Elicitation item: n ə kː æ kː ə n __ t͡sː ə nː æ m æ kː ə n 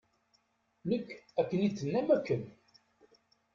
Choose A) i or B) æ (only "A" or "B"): A